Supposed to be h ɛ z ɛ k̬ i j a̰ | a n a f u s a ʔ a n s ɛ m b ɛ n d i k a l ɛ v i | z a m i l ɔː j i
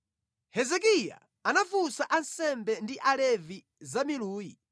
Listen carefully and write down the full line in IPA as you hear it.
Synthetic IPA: h ɛ z ɛ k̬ i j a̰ | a n a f u s a ʔ a n s ɛ m b ɛ n d i ʔ a l ɛ v i | z a m i l uː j i